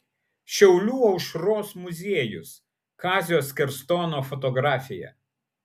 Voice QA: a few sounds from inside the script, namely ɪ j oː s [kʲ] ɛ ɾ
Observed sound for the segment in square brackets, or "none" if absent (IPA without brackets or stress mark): kʲ